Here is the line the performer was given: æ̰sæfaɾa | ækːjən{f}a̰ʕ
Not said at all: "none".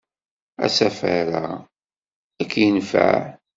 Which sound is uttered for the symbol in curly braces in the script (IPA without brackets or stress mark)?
f